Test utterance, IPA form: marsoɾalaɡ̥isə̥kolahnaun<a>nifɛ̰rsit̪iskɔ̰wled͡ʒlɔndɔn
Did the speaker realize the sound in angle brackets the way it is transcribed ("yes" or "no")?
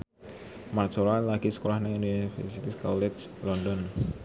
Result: no